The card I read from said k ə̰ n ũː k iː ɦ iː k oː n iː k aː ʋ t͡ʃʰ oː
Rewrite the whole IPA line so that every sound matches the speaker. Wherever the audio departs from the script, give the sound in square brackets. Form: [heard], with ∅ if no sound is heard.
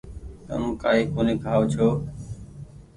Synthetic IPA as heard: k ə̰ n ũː k [aː] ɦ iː k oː n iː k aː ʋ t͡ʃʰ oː